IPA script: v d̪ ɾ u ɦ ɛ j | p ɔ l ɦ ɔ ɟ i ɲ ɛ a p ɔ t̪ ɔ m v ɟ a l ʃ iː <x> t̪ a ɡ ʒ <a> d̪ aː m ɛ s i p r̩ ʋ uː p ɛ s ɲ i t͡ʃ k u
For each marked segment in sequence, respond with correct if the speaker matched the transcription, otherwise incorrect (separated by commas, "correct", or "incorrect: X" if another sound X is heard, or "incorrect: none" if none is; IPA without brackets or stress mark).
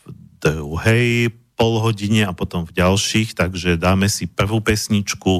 correct, incorrect: ɛ